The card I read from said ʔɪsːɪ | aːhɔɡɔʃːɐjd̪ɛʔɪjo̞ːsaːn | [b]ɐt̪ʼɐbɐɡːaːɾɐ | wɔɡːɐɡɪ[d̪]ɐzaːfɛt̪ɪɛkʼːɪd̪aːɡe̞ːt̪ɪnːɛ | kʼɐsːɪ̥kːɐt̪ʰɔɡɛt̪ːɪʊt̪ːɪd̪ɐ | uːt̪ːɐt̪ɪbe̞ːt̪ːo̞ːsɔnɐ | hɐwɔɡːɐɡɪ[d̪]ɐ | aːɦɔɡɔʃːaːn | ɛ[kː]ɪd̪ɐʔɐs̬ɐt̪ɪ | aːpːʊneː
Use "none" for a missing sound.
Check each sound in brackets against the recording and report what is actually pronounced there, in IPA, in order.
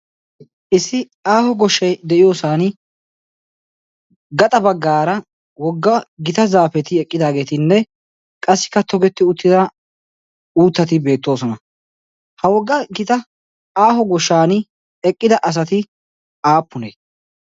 ɡ, t̪, t̪, kʼː

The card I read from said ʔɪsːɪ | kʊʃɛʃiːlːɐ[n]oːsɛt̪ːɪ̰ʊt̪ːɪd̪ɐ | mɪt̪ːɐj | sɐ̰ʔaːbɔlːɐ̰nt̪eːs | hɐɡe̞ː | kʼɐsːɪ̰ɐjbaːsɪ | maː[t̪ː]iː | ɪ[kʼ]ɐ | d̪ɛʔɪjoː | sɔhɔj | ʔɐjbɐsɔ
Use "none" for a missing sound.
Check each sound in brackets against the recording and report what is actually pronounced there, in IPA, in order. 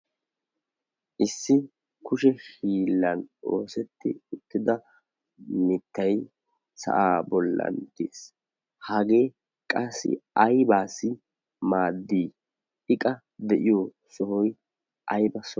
n, d̪ː, kʼ

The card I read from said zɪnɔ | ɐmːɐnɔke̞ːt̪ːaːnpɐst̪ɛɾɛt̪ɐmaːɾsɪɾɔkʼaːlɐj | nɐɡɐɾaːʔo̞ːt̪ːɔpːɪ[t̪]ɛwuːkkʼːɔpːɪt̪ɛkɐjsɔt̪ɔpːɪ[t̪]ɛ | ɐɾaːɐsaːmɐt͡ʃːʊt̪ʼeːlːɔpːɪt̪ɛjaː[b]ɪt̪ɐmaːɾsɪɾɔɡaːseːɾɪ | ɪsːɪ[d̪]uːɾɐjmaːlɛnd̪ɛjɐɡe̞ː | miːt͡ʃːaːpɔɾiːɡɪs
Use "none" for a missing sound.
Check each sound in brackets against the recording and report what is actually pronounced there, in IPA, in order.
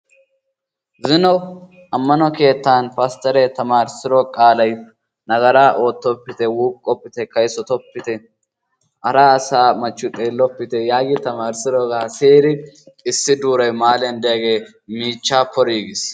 t̪, t̪, ɡ, d̪

